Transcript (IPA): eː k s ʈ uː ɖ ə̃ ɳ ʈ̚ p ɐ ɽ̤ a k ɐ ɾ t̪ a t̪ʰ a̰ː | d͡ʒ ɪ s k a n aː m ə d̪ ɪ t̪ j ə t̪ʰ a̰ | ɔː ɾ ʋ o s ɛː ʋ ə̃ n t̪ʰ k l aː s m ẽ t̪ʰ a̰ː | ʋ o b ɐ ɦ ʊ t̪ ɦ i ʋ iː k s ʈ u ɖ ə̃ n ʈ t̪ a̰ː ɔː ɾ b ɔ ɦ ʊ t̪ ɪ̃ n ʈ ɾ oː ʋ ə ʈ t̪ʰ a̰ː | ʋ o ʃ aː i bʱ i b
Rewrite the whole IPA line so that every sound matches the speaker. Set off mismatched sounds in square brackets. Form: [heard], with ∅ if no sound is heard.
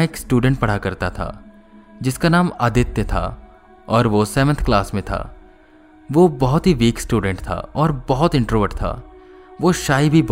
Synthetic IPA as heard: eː k s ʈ uː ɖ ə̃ ɳ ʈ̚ p ɐ ɽ̤ a k ɐ ɾ t̪ a t̪ʰ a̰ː | d͡ʒ ɪ s k a n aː m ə d̪ ɪ t̪ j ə t̪ʰ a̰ | ɔː ɾ ʋ o s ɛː ʋ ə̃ n t̪ʰ k l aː s m ẽ t̪ʰ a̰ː | ʋ o b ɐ ɦ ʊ t̪ ɦ i ʋ iː k s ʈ [uː] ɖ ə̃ [ɳ] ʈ [t̪ʰ] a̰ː ɔː ɾ b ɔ ɦ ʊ t̪ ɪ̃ [ɳ] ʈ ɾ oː ʋ ə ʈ t̪ʰ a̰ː | ʋ o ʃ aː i bʱ i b